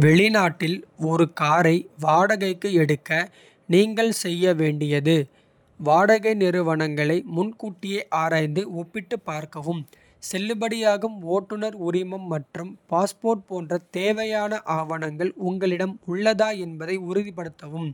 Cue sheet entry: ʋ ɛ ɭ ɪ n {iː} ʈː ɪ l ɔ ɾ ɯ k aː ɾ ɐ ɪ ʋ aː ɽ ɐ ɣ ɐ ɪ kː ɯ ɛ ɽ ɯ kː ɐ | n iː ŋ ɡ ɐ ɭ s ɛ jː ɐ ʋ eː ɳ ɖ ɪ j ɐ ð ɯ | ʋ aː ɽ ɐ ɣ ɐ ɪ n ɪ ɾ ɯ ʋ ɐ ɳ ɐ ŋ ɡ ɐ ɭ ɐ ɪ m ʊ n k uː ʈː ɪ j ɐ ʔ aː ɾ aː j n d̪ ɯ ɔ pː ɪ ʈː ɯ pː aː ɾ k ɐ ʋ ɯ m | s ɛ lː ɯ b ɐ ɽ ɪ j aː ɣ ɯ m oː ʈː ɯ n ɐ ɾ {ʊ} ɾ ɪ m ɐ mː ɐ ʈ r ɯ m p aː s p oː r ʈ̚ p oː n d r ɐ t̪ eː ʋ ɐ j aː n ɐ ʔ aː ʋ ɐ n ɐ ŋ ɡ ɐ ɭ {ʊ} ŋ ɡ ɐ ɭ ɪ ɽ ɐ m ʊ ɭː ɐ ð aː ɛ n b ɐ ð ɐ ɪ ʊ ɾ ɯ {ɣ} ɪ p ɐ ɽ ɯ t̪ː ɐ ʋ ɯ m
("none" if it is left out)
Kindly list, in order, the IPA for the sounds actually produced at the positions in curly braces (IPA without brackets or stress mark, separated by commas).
aː, ʊ, ʊ, ð